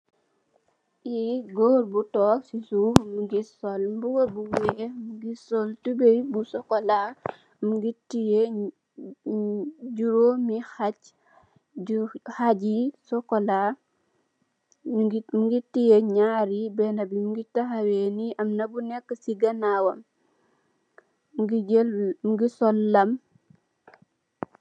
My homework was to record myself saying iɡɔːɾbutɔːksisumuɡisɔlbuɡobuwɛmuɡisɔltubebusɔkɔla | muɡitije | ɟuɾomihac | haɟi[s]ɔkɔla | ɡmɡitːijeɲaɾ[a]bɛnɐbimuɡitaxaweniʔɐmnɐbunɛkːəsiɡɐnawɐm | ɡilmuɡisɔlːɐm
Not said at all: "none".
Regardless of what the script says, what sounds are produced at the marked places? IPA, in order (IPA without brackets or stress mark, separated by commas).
s, i